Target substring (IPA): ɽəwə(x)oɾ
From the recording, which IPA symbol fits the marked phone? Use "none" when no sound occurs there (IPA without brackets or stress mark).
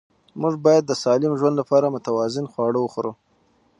x